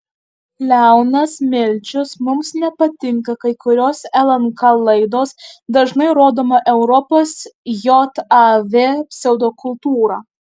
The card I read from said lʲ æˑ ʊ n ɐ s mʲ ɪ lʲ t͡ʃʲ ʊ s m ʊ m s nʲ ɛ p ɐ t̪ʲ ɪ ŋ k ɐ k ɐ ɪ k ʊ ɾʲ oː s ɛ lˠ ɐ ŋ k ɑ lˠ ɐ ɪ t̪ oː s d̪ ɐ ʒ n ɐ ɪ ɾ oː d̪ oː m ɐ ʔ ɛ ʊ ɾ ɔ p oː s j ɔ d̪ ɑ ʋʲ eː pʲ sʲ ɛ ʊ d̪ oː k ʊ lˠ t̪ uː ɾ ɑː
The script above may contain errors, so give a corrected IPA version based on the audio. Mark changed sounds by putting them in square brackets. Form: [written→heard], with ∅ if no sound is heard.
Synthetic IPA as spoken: lʲ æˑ ʊ n ɐ s mʲ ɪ lʲ t͡ʃʲ ʊ s m ʊ m s nʲ ɛ p ɐ t̪ʲ ɪ ŋ k ɐ k ɐ ɪ k ʊ ɾʲ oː s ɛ lˠ ɐ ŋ k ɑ lˠ ɐ ɪ [t̪→d̪] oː s d̪ ɐ ʒ n ɐ ɪ ɾ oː d̪ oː m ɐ ʔ ɛ ʊ ɾ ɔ p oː s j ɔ [d̪→t̪] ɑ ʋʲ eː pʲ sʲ ɛ ʊ d̪ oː k ʊ lˠ t̪ uː ɾ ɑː